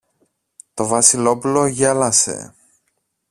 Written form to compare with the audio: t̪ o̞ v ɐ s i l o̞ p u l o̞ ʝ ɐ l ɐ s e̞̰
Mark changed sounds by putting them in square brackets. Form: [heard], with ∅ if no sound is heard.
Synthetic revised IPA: t̪ o̞ v ɐ s i l o̞ p u l o̞ ʝ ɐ l ɐ s e̞̰